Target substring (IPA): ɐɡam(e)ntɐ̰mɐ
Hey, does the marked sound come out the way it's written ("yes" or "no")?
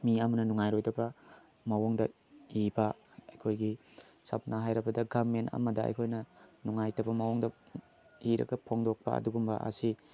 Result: yes